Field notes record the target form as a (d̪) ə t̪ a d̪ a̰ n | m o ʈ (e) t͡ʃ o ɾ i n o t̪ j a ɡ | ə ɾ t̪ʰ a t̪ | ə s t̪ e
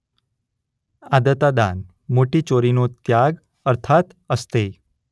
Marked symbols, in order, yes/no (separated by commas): yes, no